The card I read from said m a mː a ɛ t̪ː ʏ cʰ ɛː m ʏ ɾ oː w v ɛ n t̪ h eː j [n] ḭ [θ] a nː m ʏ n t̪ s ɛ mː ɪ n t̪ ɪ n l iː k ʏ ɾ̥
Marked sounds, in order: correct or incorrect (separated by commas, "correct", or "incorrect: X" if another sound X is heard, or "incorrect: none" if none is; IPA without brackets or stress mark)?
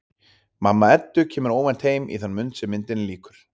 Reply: incorrect: m, correct